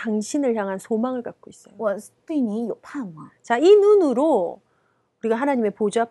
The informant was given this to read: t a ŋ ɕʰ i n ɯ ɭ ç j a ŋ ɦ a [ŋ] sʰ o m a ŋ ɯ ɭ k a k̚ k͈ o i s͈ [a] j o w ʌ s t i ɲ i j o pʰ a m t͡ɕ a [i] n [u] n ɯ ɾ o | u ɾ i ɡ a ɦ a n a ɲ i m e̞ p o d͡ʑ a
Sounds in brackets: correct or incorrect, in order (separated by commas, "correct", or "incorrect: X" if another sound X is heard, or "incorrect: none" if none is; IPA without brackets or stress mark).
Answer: incorrect: n, incorrect: ʌ, correct, correct